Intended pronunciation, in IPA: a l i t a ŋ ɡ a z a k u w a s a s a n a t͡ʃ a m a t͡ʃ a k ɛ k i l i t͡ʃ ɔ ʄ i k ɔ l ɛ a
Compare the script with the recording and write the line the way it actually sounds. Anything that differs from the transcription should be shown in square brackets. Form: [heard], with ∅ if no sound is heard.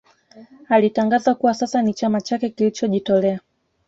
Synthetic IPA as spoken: a l i t a ŋ ɡ a z a k u w a s a s a n [i] t͡ʃ a m a t͡ʃ a k ɛ k i l i t͡ʃ ɔ ʄ i [t] ɔ l ɛ a